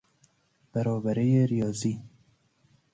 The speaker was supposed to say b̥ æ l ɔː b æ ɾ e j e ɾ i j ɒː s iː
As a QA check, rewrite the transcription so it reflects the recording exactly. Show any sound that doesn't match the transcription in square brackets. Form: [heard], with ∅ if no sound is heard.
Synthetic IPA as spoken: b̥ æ [ɾ] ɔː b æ ɾ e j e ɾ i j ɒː [z] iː